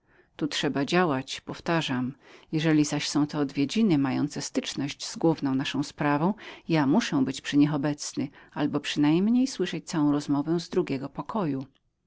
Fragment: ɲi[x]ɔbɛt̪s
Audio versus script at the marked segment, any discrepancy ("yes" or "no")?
no